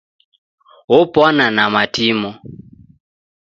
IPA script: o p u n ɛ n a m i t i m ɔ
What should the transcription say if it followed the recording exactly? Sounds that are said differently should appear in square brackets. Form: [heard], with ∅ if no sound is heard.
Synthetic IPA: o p [ɔ] n [a] n a m [a] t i m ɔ